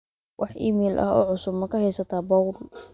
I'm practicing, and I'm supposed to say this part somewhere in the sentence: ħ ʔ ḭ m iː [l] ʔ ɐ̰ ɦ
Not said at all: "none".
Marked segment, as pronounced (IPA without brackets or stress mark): l